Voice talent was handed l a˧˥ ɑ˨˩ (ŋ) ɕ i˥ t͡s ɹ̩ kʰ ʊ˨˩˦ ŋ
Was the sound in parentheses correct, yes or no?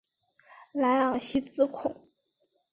yes